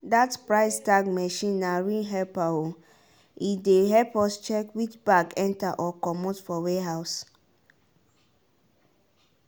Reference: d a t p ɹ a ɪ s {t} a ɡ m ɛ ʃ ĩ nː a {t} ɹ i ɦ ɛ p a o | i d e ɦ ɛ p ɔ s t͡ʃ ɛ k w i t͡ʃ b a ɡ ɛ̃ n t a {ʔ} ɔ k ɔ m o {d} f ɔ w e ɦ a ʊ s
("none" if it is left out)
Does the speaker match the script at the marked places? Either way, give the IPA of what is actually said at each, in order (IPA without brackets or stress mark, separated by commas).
t, none, ʔ, t